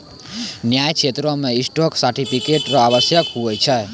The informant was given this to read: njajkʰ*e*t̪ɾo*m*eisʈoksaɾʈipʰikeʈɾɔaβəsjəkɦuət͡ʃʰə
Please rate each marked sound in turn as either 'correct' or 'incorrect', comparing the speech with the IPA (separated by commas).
correct, correct